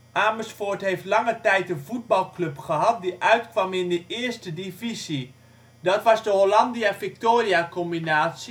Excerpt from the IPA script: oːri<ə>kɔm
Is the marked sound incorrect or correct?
incorrect